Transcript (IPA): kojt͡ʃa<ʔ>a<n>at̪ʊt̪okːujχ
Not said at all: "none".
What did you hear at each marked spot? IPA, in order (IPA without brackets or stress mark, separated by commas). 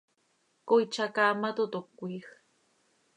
k, m